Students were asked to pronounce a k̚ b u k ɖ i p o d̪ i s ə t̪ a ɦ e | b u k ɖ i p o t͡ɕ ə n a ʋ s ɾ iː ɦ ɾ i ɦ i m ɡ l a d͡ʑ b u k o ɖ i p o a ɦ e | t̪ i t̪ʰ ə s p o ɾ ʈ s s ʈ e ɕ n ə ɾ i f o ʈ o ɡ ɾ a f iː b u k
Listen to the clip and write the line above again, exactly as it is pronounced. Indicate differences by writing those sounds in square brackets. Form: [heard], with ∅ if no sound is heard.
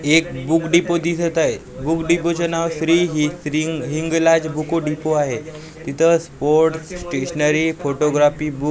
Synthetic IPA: [e] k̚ b u k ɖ i p o d̪ i s ə t̪ a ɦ e | b u k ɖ i p o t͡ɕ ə n a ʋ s ɾ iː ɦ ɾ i ɦ i [ŋ] ɡ l a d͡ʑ b u k o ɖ i p o a ɦ e | t̪ i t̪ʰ ə s p o ɾ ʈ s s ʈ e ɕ n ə ɾ i f o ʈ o ɡ ɾ a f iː b u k